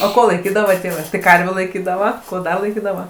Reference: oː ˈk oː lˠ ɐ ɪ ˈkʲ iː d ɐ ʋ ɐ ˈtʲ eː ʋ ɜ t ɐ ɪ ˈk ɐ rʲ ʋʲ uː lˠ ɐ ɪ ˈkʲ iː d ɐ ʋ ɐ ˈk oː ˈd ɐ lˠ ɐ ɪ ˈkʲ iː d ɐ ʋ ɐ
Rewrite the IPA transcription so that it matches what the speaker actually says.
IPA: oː ˈk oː lˠ ɐ ɪ ˈkʲ iː d ɐ ʋ ɐ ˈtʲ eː ʋ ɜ t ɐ ɪ ˈk ɐ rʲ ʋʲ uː lˠ ɐ ɪ ˈkʲ iː d ɐ ʋ ɐ ˈk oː ˈd ɐ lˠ ɐ ɪ ˈkʲ iː d ɐ ʋ ɐ

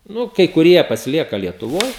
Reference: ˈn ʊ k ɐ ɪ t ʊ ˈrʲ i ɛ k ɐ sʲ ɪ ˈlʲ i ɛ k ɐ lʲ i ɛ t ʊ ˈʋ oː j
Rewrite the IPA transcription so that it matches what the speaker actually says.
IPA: ˈn ʊ k ɐ ɪ k ʊ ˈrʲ i ɛ p ɐ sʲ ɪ ˈlʲ i ɛ k ɐ lʲ i ɛ t ʊ ˈʋ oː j

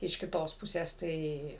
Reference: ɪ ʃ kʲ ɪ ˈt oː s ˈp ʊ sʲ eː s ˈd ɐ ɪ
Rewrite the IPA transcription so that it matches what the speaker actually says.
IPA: ɪ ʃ kʲ ɪ ˈt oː s ˈp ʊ sʲ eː s ˈt ɐ ɪ

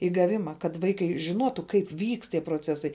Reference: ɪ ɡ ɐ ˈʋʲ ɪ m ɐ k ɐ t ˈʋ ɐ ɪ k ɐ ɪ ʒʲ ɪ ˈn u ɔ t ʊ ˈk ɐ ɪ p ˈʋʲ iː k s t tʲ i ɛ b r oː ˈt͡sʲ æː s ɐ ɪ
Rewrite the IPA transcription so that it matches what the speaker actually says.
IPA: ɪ ɡ ɐ ˈʋʲ ɪ m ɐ k ɐ t ˈʋ ɐ ɪ k ɐ ɪ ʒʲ ɪ ˈn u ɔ t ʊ ˈk ɐ ɪ p ˈʋʲ iː k s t tʲ i ɛ p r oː ˈt͡sʲ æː s ɐ ɪ

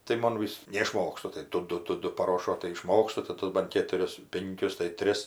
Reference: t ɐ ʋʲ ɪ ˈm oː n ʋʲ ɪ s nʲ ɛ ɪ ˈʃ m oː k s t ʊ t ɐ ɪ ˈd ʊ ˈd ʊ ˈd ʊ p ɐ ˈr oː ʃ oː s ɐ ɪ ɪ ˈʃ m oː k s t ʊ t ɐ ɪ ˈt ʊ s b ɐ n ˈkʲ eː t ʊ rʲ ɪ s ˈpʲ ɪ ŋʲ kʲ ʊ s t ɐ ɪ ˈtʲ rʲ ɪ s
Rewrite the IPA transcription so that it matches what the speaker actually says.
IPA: t ɐ ɪ ˈm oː n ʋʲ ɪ s nʲ ɛ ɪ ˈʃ m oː k s t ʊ t ɐ ɪ ˈd ʊ ˈd ʊ ˈd ʊ p ɐ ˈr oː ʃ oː t ɐ ɪ ɪ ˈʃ m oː k s t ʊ t ɐ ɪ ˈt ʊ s b ɐ n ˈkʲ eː t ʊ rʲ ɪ s ˈpʲ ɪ ŋʲ kʲ ʊ s t ɐ ɪ ˈtʲ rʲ ɪ s

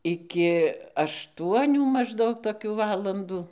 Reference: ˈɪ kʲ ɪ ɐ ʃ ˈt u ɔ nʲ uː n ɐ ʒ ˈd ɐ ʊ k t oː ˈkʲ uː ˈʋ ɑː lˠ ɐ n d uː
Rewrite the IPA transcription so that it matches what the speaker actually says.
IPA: ˈɪ kʲ ɪ ɐ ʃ ˈt u ɔ nʲ uː m ɐ ʒ ˈd ɐ ʊ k t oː ˈkʲ uː ˈʋ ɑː lˠ ɐ n d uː

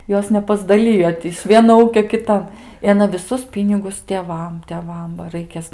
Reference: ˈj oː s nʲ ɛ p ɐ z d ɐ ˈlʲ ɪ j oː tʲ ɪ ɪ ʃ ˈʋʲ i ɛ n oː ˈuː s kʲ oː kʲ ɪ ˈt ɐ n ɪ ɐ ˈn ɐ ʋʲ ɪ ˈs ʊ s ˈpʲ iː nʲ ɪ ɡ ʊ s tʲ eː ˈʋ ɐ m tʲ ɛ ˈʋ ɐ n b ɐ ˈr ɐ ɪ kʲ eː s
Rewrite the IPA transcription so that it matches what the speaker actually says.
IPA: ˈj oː s nʲ ɛ p ɐ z d ɐ ˈlʲ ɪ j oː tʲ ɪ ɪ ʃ ˈʋʲ i ɛ n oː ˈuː kʲ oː kʲ ɪ ˈt ɐ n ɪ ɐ ˈn ɐ ʋʲ ɪ ˈs ʊ s ˈpʲ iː nʲ ɪ ɡ ʊ s tʲ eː ˈʋ ɐ m tʲ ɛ ˈʋ ɐ m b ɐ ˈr ɐ ɪ kʲ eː s

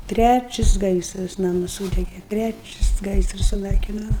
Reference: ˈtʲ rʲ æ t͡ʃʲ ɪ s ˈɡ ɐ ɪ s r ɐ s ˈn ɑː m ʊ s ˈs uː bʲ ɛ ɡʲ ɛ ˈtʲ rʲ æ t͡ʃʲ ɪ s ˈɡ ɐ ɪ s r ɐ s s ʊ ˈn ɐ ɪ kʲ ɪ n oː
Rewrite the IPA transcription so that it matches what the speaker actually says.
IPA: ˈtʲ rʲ æ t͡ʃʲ ɪ s ˈɡ ɐ ɪ s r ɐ s ˈn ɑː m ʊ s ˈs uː dʲ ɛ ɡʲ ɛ ˈtʲ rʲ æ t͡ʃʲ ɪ s ˈɡ ɐ ɪ s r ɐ s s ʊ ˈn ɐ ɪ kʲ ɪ n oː

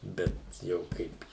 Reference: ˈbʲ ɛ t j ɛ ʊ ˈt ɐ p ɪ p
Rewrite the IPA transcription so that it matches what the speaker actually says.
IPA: ˈbʲ ɛ t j ɛ ʊ ˈk ɐ ɪ p

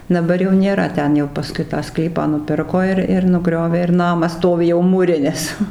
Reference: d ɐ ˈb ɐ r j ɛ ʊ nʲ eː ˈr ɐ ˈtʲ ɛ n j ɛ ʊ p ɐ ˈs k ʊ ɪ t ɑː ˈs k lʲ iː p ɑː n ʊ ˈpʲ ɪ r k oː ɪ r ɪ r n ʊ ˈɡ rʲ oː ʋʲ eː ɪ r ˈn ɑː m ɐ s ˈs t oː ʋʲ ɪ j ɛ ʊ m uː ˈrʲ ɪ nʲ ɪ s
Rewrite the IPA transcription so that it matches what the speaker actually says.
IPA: d ɐ ˈb ɐ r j ɛ ʊ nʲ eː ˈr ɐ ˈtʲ ɛ n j ɛ ʊ p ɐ ˈs k ʊ ɪ t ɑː ˈs k lʲ iː p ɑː n ʊ ˈpʲ ɪ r k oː ɪ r ɪ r n ʊ ˈɡ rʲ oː ʋʲ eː ɪ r ˈn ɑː m ɐ s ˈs t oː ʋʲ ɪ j ɛ ʊ m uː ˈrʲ ɪ nʲ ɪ s

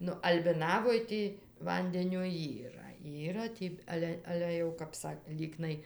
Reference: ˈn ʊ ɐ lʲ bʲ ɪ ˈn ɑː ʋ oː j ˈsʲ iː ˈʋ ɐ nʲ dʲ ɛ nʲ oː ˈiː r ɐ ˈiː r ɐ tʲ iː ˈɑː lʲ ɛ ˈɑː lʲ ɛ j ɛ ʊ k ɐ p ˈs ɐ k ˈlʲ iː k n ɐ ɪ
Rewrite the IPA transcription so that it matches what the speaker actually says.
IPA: ˈn ʊ ɐ lʲ bʲ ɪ ˈn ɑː ʋ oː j ˈtʲ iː ˈʋ ɐ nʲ dʲ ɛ nʲ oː ˈiː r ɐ ˈiː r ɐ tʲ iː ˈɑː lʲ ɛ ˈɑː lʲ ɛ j ɛ ʊ k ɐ p ˈs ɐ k ˈlʲ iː k n ɐ ɪ

